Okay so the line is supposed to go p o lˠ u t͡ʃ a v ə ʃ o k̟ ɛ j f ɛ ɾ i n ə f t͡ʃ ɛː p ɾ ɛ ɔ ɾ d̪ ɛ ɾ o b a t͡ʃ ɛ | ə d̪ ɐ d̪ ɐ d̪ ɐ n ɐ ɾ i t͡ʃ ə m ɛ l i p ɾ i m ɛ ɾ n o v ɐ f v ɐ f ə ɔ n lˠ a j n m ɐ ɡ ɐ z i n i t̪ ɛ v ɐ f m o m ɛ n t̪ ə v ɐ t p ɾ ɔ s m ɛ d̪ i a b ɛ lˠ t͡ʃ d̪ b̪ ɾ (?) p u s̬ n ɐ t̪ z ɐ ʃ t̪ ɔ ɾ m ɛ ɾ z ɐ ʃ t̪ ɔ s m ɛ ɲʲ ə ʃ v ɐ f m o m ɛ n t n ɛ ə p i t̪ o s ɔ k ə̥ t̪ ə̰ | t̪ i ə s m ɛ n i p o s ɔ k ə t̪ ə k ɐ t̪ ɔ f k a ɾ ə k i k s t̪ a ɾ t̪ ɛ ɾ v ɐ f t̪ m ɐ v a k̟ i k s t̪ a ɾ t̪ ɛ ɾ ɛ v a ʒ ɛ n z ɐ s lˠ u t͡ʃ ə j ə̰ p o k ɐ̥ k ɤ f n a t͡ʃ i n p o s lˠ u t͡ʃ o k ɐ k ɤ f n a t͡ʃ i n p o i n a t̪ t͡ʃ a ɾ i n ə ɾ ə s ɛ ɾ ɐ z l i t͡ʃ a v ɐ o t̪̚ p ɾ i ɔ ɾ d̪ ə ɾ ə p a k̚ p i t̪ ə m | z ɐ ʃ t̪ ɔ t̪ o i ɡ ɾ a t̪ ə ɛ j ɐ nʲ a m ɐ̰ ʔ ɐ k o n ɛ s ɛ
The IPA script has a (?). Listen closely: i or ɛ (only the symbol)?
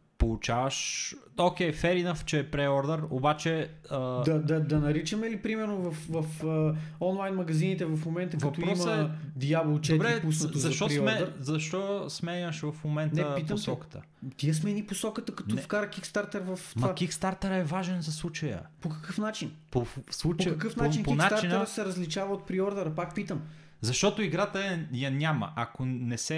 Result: ɛ